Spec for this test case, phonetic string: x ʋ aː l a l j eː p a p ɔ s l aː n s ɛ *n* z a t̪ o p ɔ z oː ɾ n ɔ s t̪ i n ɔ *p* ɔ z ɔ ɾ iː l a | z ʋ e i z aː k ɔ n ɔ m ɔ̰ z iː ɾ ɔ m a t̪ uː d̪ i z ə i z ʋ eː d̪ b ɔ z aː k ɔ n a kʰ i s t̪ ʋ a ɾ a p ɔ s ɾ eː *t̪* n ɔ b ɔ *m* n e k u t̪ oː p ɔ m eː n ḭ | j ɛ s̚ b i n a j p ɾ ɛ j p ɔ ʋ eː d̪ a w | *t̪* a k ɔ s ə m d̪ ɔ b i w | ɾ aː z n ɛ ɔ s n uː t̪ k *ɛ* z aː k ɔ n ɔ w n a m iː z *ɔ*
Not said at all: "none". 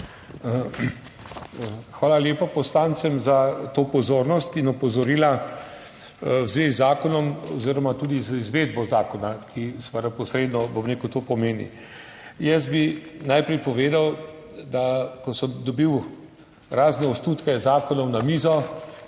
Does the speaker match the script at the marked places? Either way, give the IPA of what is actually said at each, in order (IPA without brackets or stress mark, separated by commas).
m, p, d̪, m, d̪, ɛ, ɔ